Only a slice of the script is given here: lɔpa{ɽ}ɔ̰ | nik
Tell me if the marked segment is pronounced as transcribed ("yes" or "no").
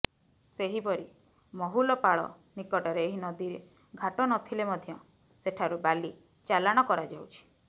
no